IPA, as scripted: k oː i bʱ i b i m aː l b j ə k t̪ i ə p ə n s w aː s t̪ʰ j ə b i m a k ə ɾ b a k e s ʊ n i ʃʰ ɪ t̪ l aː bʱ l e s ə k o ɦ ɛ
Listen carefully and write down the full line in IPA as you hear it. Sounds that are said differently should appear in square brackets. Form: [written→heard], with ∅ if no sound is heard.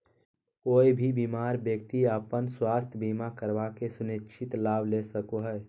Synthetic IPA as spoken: k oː i bʱ i b i m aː [l→ɾ] b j ə k t̪ i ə p ə n s w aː s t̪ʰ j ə b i m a k ə ɾ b a k e s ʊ n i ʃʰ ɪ t̪ l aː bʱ l e s ə k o ɦ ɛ